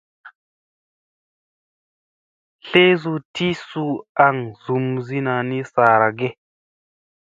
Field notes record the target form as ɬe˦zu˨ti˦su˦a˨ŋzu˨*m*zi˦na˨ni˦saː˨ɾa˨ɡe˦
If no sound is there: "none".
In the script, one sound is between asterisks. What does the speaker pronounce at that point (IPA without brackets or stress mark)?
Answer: m